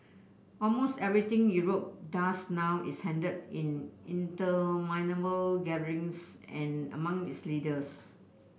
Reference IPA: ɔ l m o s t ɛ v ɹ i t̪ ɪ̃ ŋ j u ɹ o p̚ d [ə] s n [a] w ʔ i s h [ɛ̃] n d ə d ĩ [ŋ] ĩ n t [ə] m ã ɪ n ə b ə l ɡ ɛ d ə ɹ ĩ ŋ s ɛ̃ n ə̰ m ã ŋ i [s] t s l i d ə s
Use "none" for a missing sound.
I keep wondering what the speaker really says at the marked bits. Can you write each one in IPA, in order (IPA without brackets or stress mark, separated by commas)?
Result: a, a, ɛ̃, n, ə, none